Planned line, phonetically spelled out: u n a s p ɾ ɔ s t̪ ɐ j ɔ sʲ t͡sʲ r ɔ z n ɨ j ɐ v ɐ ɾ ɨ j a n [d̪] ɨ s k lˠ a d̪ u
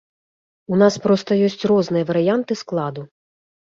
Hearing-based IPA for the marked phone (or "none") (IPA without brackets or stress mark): t̪